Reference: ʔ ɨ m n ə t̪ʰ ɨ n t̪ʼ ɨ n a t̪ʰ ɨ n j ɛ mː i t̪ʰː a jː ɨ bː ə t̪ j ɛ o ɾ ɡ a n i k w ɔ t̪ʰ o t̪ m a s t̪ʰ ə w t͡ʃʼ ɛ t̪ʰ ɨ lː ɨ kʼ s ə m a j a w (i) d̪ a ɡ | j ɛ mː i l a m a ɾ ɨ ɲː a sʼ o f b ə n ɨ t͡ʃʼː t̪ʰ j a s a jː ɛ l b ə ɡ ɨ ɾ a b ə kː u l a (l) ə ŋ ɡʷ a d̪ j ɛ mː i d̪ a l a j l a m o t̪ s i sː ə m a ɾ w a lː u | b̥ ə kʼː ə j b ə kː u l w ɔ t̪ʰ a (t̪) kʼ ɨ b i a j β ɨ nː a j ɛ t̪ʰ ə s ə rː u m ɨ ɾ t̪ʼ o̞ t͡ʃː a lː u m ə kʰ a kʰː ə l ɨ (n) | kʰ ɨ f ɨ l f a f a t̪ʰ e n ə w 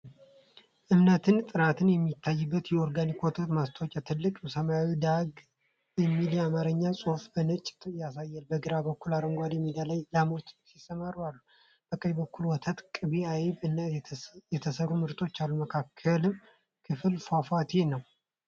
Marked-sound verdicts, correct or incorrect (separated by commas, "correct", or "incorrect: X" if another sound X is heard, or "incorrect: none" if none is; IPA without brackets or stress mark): correct, incorrect: ɾ, correct, incorrect: m